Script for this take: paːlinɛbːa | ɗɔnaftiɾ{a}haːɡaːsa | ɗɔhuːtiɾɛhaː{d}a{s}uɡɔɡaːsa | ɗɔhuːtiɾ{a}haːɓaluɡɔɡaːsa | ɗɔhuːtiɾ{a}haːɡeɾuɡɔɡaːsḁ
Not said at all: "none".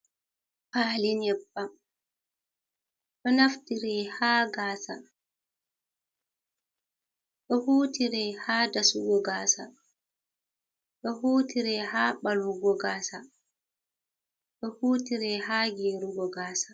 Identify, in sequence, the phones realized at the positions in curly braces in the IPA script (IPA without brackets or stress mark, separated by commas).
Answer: ɛ, d, s, ɛ, ɛ